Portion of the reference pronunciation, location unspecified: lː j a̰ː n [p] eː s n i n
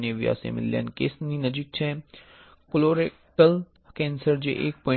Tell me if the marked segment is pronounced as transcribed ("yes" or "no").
no